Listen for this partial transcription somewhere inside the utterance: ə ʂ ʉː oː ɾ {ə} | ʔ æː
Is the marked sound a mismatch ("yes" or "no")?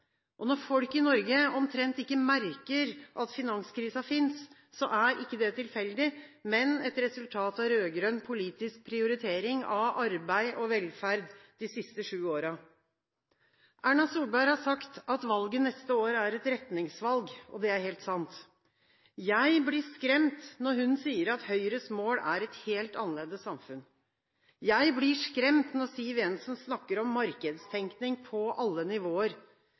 yes